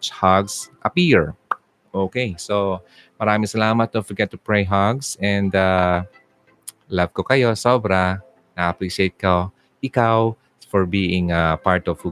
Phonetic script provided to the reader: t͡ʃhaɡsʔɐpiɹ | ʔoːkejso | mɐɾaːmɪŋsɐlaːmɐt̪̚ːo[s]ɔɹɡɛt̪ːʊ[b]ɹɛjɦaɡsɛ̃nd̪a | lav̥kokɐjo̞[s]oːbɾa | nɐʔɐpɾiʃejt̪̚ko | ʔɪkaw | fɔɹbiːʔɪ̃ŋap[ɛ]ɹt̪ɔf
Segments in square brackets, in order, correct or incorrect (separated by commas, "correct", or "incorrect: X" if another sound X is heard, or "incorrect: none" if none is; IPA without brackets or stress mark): incorrect: f, incorrect: p, correct, incorrect: a